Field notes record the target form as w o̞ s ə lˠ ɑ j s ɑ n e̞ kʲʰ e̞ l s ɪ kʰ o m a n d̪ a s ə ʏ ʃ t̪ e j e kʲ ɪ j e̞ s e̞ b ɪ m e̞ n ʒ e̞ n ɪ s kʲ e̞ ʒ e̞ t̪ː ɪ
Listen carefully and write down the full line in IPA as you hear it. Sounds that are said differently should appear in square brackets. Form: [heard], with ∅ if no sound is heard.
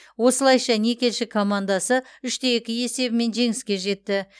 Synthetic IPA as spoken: w o̞ s ə lˠ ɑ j [ʃ] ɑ n e̞ [kʲ] e̞ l [ʃ] ɪ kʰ o m a n d̪ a s ə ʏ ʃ t̪ e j e kʲ ɪ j e̞ s e̞ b ɪ m e̞ n ʒ e̞ [ŋ] ɪ s kʲ e̞ ʒ e̞ t̪ː ɪ